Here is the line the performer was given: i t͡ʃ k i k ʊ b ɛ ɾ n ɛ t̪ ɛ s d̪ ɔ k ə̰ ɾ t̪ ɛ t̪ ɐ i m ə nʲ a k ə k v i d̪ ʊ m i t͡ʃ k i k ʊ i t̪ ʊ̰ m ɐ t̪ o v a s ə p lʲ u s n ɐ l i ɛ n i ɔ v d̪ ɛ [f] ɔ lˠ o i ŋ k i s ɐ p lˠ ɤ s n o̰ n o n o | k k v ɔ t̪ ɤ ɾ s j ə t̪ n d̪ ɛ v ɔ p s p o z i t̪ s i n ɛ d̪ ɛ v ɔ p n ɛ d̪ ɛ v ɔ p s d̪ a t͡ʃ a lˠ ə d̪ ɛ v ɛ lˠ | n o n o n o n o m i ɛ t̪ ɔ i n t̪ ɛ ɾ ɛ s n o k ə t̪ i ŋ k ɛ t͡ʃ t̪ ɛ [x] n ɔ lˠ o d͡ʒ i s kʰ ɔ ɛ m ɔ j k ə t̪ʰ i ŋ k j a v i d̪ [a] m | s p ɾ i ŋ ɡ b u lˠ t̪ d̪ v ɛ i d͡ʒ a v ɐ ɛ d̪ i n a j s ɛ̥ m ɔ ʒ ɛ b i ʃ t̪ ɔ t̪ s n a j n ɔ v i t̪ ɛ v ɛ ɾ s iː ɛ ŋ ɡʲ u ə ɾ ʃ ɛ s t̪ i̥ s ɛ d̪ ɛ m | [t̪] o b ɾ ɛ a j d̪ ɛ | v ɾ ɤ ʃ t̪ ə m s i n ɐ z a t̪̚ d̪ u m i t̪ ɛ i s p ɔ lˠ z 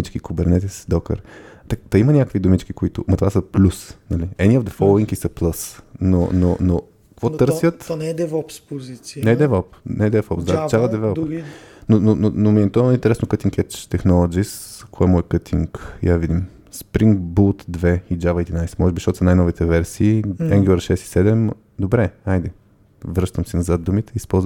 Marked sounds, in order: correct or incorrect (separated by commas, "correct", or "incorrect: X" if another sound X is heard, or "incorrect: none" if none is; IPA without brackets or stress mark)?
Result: correct, correct, incorrect: i, incorrect: d̪